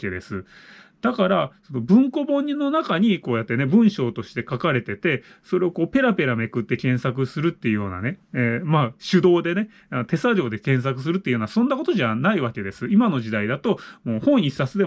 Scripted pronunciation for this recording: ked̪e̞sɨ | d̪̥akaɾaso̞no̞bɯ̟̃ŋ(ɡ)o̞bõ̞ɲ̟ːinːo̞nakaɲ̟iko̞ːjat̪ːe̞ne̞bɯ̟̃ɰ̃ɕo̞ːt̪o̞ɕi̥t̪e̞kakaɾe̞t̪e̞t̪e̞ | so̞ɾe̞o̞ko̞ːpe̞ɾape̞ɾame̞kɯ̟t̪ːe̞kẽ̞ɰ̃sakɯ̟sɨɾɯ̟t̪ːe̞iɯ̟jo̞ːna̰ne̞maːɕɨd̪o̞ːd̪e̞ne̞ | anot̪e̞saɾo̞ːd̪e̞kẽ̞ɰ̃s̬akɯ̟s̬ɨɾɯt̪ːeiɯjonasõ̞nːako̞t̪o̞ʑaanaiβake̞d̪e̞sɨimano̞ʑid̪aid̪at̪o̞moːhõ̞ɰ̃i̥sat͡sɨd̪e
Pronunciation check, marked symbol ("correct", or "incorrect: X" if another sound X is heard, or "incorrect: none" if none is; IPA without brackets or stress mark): incorrect: k